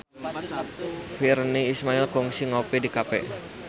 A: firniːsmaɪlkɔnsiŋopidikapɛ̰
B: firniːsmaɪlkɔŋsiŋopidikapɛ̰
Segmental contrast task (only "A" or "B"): B